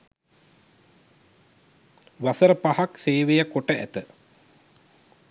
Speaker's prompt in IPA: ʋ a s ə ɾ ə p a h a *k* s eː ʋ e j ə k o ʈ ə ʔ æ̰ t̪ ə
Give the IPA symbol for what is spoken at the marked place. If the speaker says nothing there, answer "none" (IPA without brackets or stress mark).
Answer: k